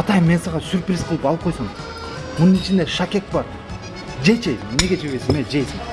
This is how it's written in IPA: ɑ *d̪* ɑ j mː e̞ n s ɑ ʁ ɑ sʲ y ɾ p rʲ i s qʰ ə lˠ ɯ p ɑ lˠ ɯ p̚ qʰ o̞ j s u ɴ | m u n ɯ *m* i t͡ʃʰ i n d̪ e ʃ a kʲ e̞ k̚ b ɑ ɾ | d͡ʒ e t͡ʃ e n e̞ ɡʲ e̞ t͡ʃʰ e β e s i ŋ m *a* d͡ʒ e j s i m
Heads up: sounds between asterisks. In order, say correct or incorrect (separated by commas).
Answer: incorrect, incorrect, incorrect